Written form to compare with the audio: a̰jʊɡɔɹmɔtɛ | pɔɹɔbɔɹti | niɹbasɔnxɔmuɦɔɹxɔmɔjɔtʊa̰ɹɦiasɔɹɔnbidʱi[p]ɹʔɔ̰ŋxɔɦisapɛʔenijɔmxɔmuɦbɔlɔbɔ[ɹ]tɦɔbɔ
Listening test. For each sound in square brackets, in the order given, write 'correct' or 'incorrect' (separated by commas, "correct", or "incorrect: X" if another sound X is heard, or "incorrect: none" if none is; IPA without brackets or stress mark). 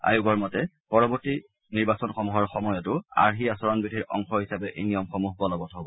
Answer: incorrect: none, incorrect: none